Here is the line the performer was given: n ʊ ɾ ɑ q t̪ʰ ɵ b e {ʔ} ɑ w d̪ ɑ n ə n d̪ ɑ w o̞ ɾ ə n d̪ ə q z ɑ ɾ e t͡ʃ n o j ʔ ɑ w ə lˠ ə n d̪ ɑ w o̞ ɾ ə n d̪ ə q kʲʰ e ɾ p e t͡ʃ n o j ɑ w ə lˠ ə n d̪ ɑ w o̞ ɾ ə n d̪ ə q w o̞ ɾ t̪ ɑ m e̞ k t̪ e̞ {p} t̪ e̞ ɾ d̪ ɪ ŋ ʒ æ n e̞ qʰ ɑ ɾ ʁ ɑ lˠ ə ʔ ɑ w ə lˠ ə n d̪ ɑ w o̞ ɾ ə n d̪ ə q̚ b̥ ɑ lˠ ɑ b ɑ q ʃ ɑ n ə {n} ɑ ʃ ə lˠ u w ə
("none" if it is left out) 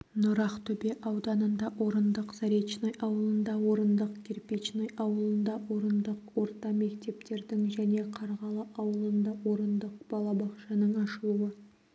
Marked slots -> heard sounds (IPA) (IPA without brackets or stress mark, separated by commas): ʔ, p, ɴ